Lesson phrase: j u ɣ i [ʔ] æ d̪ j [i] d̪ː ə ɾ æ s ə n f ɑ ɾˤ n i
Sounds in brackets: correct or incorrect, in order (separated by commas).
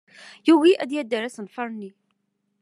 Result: correct, incorrect